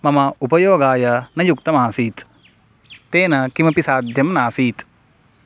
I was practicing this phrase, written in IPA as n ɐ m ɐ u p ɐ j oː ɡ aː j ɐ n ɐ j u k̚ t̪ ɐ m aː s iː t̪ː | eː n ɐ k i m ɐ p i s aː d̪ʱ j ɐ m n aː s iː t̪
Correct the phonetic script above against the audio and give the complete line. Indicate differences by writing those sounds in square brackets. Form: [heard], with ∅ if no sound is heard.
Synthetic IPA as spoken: [m] ɐ m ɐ u p ɐ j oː ɡ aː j ɐ n ɐ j u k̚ t̪ ɐ m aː s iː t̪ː | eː n ɐ k i m ɐ p i s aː d̪ʱ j ɐ m n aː s iː t̪